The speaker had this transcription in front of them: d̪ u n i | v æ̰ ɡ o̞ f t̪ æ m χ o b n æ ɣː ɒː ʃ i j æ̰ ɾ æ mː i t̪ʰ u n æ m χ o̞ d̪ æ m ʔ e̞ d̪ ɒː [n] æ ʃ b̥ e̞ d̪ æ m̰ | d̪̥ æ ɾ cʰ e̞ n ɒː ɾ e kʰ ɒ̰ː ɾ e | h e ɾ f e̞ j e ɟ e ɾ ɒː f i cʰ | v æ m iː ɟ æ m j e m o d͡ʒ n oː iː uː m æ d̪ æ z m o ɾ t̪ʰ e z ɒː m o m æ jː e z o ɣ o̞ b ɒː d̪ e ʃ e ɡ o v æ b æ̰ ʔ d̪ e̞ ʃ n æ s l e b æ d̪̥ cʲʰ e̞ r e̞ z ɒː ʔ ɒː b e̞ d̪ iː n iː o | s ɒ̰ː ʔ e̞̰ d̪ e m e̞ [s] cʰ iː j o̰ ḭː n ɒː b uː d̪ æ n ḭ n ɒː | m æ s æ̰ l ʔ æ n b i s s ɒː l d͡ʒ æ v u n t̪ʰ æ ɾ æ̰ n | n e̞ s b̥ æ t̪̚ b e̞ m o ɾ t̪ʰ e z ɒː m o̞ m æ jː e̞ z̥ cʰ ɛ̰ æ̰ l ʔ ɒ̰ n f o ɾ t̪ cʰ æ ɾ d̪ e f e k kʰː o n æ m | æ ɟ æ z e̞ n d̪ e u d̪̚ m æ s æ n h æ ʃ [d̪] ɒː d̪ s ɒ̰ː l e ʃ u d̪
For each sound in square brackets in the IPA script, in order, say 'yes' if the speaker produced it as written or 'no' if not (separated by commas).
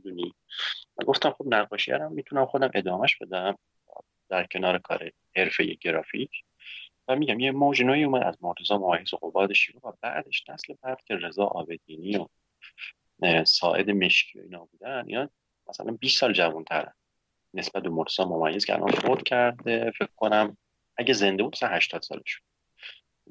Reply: no, no, no